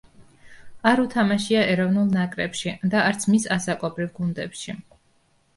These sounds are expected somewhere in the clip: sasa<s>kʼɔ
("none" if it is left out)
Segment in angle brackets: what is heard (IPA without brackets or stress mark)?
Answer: none